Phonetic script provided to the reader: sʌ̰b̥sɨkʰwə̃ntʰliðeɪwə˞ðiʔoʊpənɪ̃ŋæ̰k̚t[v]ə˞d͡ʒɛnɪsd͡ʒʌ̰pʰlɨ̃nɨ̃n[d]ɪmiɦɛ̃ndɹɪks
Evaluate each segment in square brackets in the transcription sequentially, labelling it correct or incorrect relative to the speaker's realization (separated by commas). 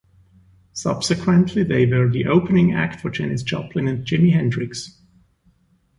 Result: incorrect, incorrect